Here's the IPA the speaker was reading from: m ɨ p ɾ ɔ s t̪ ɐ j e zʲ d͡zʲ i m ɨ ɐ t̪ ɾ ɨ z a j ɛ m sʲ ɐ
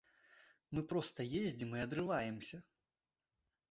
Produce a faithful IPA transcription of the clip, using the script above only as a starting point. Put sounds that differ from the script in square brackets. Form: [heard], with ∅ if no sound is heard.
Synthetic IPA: m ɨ p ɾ ɔ s t̪ ɐ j e zʲ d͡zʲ i m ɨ ɐ [d̪] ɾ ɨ [v] a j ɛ m sʲ ɐ